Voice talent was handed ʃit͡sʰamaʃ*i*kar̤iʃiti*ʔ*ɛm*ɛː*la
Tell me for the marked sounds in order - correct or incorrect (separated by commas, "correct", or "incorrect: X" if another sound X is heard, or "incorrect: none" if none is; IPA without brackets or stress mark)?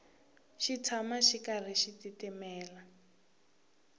correct, incorrect: t, correct